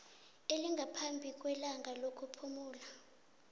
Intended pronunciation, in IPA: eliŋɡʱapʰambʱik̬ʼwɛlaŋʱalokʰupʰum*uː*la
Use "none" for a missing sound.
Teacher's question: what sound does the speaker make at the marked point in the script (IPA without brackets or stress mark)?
uː